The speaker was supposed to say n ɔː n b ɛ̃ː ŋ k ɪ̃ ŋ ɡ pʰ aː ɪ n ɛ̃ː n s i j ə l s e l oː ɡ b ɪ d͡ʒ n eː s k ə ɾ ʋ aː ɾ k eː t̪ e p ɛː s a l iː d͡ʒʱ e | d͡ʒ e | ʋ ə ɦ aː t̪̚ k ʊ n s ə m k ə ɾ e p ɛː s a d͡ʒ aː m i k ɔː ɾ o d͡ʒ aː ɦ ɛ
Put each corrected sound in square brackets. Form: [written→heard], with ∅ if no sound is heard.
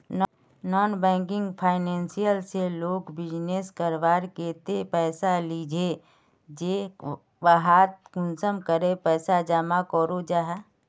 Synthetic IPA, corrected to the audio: n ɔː n b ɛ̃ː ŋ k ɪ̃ ŋ ɡ pʰ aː ɪ n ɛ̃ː n s i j ə l s e l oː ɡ b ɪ d͡ʒ n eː s k ə ɾ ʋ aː ɾ k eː t̪ e p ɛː s a l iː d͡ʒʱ e | d͡ʒ e | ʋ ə ɦ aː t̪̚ k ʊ n s ə m k ə ɾ e p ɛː s a d͡ʒ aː m [i→a] k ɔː ɾ o d͡ʒ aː ɦ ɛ